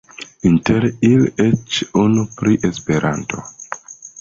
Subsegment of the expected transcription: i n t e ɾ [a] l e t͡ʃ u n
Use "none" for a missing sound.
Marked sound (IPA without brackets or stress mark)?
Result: i